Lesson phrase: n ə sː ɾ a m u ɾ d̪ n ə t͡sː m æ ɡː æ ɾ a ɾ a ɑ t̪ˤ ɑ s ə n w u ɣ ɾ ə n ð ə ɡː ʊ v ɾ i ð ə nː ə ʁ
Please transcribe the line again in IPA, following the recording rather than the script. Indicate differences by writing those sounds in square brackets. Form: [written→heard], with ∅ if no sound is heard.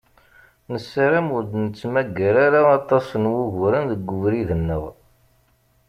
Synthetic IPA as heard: n ə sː ɾ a m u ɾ d̪ n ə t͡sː m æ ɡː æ ɾ a ɾ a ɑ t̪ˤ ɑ s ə n w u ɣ ɾ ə n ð ə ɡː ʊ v ɾ i ð ə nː ə ʁ